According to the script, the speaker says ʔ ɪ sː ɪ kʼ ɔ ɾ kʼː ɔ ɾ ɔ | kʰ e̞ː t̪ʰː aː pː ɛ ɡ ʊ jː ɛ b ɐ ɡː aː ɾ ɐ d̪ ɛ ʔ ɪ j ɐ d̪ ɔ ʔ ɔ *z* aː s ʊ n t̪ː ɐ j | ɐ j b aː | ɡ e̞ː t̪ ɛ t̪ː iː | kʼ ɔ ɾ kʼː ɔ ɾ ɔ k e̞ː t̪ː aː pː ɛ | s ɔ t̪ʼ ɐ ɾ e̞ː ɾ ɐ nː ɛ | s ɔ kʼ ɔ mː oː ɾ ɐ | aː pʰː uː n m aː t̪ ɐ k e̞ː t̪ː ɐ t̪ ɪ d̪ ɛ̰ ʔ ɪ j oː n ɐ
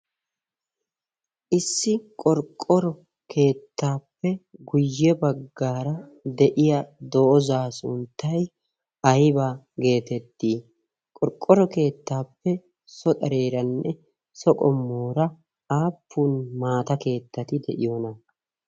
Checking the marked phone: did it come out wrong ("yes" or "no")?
no